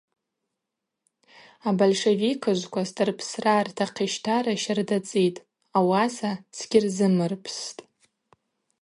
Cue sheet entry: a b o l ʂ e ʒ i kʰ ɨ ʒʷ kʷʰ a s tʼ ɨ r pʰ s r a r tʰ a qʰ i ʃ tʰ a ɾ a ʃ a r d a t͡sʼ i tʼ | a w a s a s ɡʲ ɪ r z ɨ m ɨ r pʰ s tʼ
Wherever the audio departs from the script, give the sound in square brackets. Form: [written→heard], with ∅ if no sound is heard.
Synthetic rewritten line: a b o l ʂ e [ʒ→v] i kʰ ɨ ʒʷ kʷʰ a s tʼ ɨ r pʰ s r a r tʰ a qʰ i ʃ tʰ a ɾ a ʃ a r d a t͡sʼ i tʼ | a w a s a s ɡʲ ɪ r z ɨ m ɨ r pʰ s tʼ